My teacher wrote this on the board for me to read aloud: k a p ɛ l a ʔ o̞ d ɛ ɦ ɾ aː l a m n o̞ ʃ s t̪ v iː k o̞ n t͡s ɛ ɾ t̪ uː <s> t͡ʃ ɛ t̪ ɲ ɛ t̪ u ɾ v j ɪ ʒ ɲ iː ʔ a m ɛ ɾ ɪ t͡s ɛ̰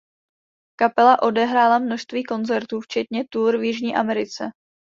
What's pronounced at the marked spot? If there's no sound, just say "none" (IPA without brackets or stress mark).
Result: f